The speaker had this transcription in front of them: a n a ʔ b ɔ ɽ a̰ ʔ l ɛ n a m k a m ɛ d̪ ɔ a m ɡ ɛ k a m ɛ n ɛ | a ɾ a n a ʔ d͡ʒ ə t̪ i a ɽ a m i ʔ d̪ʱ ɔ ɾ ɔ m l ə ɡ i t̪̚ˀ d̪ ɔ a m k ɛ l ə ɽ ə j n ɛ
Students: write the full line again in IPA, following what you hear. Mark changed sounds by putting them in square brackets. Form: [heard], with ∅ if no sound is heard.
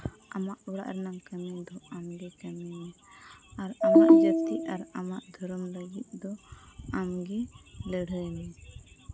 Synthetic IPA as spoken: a [m] a ʔ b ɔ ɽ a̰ ʔ [ɾ] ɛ n a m k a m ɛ d̪ ɔ a m ɡ ɛ k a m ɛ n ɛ | a ɾ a [m] a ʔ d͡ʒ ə t̪ i a [ɾ] a m [a] ʔ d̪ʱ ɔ ɾ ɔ m l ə ɡ i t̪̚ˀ d̪ ɔ a m [ɡ] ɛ l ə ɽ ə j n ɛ